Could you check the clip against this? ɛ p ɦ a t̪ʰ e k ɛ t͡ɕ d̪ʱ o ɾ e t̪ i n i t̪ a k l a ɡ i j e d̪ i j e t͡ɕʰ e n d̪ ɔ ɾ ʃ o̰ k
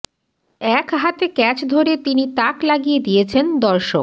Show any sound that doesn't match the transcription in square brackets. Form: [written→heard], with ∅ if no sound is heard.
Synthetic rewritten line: ɛ [p→k] ɦ a [t̪ʰ→t̪] e k ɛ t͡ɕ d̪ʱ o ɾ e t̪ i n i t̪ a k l a ɡ i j e d̪ i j e t͡ɕʰ e n d̪ ɔ ɾ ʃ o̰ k